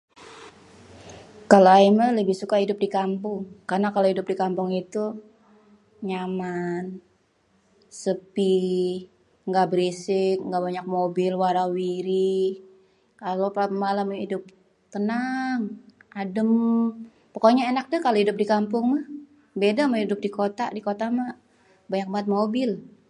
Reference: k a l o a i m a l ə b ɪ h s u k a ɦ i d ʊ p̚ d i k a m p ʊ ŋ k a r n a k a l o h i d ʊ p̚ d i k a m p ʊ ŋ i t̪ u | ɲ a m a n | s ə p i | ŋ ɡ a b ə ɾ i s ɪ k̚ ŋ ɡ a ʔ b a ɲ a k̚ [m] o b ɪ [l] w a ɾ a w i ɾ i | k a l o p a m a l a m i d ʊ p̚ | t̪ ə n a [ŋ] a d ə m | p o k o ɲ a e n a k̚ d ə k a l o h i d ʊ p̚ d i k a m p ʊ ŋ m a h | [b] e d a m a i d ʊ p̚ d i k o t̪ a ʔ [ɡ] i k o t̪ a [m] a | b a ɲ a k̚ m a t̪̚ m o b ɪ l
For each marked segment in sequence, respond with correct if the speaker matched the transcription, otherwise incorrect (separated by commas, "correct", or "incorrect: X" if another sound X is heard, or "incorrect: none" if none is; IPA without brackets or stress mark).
correct, correct, correct, correct, incorrect: d, correct